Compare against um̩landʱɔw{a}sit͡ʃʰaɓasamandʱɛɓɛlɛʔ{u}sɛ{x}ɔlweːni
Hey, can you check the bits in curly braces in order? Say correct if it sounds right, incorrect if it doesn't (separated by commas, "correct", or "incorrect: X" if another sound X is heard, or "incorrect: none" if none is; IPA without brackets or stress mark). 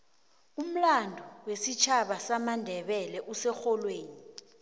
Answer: incorrect: e, correct, correct